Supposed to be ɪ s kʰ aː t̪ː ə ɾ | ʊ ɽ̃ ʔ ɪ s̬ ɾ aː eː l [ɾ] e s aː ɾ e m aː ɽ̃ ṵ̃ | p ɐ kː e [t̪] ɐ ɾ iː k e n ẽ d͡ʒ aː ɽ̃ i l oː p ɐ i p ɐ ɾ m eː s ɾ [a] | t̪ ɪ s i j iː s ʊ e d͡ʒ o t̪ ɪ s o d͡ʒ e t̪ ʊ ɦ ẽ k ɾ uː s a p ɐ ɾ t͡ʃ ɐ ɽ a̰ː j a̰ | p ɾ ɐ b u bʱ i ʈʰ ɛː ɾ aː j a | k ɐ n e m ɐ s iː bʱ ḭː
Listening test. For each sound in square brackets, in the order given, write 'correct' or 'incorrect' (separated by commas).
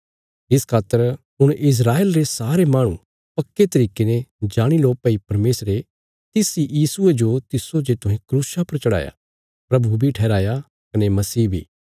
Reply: correct, correct, incorrect